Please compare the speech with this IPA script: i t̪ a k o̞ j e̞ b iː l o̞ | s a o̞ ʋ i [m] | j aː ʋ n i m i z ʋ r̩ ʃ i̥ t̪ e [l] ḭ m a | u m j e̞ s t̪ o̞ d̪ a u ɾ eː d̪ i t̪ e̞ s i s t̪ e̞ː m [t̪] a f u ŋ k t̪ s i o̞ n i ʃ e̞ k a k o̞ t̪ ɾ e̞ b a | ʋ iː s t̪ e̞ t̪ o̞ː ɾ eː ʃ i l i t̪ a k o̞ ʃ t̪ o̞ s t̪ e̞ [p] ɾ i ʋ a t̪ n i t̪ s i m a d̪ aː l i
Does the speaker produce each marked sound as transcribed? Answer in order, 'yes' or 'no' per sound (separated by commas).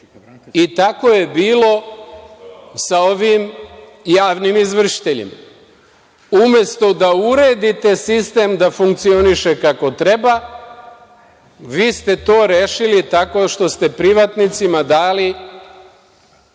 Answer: yes, no, no, yes